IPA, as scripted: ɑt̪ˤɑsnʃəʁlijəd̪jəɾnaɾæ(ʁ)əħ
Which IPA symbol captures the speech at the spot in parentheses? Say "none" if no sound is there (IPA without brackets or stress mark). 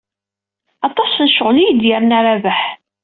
v